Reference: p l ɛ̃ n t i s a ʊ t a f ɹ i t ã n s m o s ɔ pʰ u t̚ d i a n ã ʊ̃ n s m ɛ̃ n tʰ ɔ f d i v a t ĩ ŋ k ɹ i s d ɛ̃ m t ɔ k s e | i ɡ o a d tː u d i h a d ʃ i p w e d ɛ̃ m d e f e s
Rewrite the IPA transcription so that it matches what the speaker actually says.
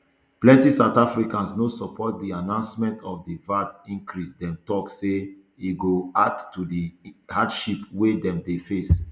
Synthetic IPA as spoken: p l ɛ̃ n t i s a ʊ t a f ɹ i k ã n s n o s ɔ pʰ ɔ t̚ d i a n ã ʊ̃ n s m ɛ̃ n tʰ ɔ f d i v a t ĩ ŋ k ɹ i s d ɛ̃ m t ɔ k s e | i ɡ o a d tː u d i h a d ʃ i p w e d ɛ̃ m d e f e s